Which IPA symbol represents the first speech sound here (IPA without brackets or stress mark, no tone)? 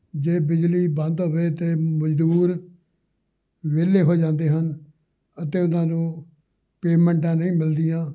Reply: d͡ʒ